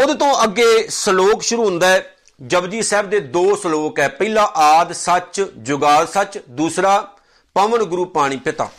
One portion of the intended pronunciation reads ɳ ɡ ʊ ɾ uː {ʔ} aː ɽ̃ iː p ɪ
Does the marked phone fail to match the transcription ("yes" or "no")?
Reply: yes